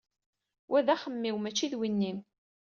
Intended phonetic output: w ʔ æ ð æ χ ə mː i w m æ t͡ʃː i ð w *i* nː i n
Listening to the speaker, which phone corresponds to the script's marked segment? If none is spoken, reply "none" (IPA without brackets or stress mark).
i